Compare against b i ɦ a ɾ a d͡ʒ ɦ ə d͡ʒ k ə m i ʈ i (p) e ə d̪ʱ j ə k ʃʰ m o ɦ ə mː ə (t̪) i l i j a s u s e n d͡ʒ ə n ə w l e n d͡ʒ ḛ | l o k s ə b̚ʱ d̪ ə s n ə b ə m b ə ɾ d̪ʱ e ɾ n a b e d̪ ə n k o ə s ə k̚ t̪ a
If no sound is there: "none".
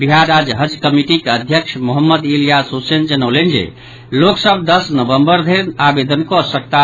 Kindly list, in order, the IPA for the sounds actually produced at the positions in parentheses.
k, d̪

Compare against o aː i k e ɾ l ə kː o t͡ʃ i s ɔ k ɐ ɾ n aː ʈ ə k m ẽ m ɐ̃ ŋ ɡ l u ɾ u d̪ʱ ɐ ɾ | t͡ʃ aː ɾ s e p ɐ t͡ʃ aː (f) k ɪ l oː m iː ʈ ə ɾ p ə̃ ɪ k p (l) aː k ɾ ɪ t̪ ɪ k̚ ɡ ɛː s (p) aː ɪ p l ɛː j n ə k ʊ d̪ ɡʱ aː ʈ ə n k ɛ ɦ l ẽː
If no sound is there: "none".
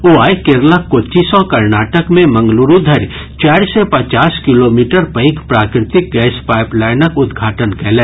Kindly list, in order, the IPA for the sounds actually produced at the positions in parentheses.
s, ɾ, p

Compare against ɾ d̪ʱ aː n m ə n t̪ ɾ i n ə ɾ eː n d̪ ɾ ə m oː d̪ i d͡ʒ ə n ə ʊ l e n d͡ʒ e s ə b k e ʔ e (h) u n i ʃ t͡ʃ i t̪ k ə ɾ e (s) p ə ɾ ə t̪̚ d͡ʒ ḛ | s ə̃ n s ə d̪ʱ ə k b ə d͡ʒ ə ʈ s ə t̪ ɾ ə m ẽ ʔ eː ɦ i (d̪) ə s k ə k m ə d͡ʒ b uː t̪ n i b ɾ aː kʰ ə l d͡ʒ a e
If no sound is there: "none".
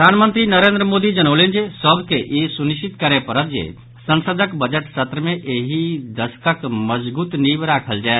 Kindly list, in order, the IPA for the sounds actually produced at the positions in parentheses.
s, none, d̪

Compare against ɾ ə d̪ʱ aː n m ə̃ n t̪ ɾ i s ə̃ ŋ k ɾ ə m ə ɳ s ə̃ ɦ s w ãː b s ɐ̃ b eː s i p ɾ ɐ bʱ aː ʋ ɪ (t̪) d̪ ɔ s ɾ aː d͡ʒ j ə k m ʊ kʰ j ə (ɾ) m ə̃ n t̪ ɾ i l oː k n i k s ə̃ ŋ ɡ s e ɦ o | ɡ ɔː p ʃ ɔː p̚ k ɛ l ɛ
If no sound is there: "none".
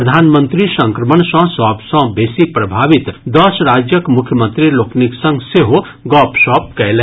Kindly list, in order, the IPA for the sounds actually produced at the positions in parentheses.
t̪, none

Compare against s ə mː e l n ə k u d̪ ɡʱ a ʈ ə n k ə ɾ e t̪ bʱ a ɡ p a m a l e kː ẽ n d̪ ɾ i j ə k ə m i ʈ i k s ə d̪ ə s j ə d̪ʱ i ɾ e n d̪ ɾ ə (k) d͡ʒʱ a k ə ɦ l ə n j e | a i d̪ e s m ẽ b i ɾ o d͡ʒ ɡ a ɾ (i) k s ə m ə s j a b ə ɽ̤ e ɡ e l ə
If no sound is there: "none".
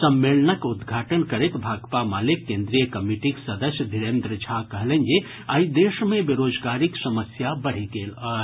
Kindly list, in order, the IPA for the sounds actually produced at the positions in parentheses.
none, i

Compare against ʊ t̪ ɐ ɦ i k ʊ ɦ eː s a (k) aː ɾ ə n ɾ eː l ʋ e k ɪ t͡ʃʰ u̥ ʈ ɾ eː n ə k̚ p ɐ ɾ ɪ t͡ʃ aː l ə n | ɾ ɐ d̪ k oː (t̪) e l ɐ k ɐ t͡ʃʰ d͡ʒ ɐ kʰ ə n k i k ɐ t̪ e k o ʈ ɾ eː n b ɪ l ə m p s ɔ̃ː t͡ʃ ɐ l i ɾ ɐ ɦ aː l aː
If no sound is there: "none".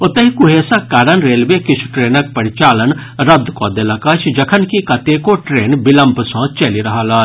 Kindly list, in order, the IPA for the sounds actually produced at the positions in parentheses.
k, d̪

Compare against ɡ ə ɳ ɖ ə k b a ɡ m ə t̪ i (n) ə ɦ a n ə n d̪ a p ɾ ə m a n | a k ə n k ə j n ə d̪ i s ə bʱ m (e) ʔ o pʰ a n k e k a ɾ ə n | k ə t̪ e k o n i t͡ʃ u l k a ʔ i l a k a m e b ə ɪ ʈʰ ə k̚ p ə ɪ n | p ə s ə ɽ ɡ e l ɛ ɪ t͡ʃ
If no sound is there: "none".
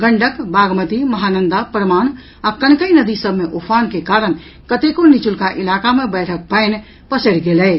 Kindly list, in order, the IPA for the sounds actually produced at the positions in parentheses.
m, e

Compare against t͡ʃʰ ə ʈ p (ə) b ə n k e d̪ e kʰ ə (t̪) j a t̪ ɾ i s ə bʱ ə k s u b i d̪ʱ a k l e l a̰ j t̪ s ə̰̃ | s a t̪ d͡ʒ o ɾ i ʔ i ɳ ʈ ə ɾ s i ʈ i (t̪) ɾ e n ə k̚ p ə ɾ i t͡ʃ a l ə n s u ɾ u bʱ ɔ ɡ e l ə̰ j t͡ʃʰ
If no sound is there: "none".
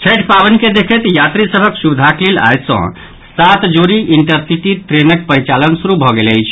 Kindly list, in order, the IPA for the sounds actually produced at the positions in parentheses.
a, t̪, t̪

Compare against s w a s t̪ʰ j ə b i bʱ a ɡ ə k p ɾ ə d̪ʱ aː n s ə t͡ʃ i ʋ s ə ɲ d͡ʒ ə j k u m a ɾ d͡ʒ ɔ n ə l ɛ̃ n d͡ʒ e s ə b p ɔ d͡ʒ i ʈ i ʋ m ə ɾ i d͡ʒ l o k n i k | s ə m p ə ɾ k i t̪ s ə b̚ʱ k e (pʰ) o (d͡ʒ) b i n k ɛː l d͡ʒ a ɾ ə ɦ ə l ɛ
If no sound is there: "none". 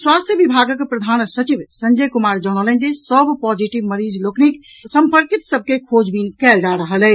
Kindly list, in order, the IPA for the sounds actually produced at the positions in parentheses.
kʰ, d͡ʒ

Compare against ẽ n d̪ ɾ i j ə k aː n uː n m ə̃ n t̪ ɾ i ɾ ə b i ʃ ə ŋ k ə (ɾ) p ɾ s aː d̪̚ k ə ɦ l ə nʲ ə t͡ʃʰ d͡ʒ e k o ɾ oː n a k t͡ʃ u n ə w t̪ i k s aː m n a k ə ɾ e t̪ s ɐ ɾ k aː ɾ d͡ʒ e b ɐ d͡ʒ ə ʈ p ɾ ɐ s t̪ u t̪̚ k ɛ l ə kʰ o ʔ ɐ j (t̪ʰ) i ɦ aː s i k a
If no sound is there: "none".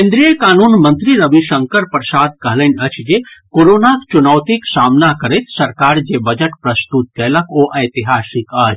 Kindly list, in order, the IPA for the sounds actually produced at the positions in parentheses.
ɾ, t̪

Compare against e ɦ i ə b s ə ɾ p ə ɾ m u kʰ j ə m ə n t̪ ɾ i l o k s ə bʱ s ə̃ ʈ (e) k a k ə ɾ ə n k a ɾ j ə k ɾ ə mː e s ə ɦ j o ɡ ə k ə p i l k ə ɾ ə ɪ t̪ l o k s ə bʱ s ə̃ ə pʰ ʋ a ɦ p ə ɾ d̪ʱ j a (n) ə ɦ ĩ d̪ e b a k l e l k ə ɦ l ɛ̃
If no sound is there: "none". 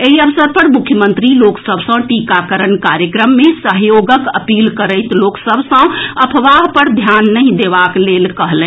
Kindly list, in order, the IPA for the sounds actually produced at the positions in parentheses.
i, nː

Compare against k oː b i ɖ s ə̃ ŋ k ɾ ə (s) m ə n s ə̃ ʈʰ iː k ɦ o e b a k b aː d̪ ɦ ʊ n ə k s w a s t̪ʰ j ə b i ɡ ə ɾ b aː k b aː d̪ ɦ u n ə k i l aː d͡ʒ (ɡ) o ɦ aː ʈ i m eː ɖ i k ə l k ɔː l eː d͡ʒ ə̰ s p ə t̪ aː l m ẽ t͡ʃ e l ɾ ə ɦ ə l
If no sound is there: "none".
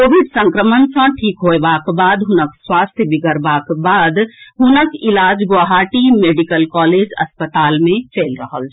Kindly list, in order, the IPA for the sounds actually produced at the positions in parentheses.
none, ɡ

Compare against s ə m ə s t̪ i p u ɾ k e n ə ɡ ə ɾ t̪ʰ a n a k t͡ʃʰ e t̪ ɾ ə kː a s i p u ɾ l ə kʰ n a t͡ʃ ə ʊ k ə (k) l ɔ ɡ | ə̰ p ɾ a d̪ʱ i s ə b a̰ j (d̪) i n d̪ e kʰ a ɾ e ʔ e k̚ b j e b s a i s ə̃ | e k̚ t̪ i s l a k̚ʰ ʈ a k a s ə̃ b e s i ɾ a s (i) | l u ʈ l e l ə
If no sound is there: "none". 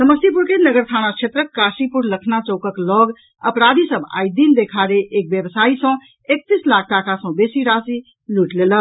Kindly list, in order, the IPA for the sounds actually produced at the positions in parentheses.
k, d̪, i

